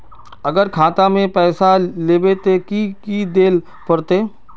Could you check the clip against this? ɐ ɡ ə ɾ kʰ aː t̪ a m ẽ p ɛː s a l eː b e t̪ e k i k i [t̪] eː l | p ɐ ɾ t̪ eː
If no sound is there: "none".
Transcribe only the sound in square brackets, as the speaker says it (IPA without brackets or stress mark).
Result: d̪